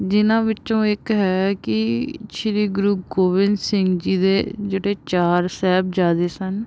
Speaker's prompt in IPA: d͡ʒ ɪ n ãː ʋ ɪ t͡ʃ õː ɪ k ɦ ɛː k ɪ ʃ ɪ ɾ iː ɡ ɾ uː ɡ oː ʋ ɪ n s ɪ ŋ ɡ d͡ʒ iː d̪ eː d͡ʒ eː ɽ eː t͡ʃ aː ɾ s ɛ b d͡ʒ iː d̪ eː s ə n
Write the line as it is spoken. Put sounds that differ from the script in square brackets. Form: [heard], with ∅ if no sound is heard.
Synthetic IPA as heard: d͡ʒ ɪ n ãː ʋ ɪ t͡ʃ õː ɪ k ɦ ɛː k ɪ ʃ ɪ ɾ iː ɡ ɾ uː ɡ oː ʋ ɪ n s ɪ ŋ ɡ d͡ʒ iː d̪ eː d͡ʒ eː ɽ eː t͡ʃ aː ɾ s [ɛː] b d͡ʒ [aː] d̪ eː s ə n